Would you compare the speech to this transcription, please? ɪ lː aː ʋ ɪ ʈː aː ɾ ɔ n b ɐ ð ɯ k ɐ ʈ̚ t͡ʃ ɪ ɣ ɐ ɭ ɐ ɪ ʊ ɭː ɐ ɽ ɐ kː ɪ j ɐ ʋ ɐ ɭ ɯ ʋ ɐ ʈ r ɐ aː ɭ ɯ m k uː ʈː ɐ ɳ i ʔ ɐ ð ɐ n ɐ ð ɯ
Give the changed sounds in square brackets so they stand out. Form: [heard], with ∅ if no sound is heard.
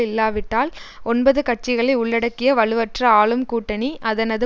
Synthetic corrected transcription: ɪ lː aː ʋ ɪ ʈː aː [l] ɔ n b ɐ ð ɯ k ɐ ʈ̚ t͡ʃ ɪ ɣ ɐ ɭ ɐ ɪ ʊ ɭː ɐ ɽ ɐ kː ɪ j ɐ ʋ ɐ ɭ ɯ ʋ ɐ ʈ r ɐ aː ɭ ɯ m k uː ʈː ɐ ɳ i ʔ ɐ ð ɐ n ɐ ð ɯ